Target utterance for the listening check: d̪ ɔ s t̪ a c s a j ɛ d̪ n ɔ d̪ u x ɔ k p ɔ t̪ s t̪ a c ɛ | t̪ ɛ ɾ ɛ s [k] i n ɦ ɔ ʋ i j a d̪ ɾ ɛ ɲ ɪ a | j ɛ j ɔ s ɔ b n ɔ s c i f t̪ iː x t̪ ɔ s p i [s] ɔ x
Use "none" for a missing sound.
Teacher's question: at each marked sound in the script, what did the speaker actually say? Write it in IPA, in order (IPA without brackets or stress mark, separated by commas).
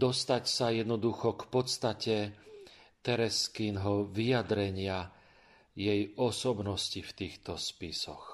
k, s